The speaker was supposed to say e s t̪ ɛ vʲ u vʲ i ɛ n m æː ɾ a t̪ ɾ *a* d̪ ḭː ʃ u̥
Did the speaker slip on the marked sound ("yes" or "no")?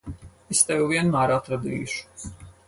no